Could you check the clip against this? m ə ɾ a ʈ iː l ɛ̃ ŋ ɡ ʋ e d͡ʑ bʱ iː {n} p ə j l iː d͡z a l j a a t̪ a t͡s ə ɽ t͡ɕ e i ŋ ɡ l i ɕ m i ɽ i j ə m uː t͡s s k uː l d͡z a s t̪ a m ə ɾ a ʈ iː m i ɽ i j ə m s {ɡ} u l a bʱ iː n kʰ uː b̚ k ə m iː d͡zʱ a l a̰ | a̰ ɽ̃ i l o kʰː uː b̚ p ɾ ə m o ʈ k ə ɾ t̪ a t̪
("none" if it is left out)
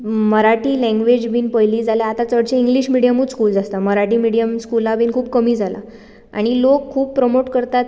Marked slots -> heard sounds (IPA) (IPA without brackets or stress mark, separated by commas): n, k